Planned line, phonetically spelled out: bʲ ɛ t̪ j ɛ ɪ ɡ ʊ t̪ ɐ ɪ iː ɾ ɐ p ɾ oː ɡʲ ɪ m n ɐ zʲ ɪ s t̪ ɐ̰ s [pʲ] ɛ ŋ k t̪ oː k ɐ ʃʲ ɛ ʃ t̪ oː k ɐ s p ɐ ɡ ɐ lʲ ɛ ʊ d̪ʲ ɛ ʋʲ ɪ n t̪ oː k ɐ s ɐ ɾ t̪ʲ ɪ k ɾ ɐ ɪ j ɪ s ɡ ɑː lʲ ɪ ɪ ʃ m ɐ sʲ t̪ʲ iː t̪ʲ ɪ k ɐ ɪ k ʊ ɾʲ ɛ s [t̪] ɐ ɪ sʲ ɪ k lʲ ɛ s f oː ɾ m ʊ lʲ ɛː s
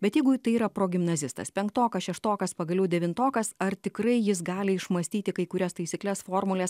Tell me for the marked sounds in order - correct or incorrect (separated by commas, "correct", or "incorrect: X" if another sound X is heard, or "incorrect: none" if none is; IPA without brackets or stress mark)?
correct, correct